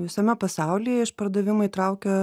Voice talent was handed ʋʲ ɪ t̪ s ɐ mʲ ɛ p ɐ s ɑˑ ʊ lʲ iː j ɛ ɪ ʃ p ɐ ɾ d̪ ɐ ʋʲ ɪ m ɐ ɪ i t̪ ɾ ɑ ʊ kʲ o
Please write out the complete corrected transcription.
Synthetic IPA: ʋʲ ɪ s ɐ mʲ ɛ p ɐ s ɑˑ ʊ lʲ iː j ɛ ɪ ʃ p ɐ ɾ d̪ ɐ ʋʲ ɪ m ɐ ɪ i t̪ ɾ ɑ ʊ kʲ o